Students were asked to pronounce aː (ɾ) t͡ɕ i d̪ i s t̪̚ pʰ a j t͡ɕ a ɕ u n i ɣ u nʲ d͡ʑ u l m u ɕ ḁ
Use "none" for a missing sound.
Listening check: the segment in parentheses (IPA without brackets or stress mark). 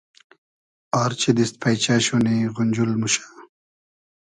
ɾ